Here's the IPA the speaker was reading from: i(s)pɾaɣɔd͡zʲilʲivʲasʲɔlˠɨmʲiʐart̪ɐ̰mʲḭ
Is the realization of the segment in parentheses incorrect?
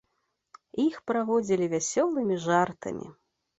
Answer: yes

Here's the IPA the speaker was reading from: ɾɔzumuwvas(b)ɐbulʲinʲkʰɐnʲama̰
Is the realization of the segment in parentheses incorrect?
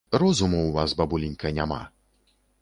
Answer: no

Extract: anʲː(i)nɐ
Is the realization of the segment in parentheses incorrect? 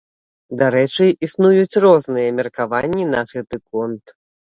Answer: no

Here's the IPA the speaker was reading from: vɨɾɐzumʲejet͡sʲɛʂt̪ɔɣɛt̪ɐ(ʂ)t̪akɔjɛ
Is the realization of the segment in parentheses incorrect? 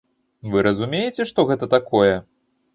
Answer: yes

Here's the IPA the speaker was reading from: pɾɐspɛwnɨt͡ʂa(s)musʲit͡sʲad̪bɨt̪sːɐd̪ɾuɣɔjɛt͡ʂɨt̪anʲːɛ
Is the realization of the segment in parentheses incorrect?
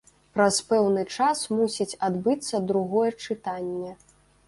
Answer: no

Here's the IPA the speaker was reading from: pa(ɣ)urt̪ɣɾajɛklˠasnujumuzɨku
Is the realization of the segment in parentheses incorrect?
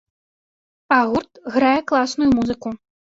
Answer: no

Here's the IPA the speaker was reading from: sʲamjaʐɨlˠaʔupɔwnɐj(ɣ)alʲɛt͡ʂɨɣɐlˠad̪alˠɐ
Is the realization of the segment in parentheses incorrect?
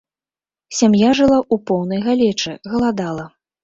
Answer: no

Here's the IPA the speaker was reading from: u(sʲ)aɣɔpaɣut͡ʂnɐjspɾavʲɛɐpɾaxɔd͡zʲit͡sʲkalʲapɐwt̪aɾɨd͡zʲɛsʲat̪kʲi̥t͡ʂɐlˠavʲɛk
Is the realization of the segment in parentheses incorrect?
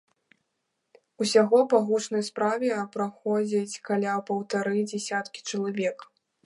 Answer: no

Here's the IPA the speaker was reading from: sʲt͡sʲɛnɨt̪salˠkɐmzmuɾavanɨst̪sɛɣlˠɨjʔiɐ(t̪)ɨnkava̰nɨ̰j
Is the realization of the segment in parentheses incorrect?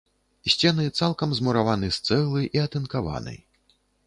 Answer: no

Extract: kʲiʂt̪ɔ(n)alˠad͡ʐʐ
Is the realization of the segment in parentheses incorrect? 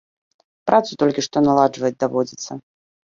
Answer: no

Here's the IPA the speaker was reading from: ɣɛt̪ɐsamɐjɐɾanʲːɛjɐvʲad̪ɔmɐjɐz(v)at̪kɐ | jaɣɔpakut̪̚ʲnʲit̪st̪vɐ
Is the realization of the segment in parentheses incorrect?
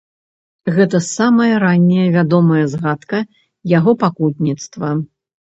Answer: yes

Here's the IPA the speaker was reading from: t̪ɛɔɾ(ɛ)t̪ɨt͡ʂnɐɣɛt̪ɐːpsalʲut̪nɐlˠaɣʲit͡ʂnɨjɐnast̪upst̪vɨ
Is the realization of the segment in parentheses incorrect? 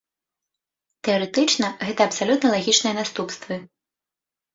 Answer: no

